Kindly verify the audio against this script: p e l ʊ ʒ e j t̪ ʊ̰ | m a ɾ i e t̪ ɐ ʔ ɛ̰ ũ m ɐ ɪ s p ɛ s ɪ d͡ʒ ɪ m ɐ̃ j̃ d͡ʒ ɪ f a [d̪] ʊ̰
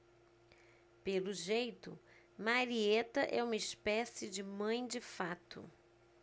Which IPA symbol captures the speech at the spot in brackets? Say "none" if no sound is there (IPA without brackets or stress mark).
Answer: t̪